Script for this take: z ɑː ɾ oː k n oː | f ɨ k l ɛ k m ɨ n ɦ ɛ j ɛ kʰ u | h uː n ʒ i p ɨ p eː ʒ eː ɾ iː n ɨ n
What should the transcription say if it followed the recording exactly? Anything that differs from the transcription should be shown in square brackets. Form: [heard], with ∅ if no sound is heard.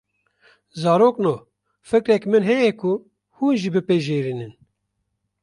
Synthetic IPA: z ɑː ɾ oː k n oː | f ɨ k [ɾ] ɛ k m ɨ n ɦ ɛ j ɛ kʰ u | h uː n ʒ i [b] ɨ p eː ʒ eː ɾ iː n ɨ n